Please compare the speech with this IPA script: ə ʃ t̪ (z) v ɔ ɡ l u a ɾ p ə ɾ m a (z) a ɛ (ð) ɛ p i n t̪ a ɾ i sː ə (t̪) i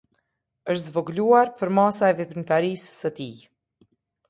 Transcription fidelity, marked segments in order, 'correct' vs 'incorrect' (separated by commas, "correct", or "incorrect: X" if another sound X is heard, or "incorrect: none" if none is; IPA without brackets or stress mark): correct, incorrect: s, incorrect: v, correct